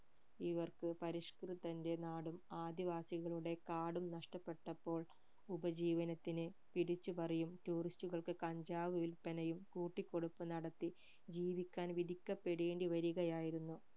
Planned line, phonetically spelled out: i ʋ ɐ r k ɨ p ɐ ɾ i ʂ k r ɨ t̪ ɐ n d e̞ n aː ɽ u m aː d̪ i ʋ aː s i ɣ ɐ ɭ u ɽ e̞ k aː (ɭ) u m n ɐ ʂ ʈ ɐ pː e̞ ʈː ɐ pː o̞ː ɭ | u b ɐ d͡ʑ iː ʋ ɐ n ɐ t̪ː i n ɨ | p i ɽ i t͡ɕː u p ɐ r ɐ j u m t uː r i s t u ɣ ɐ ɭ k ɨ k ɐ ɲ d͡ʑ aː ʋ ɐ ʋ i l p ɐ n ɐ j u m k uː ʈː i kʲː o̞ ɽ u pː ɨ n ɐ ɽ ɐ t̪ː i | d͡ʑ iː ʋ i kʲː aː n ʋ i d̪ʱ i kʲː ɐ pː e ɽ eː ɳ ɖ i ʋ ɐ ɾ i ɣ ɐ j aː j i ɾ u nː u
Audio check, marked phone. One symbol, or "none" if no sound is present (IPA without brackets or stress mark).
ɽ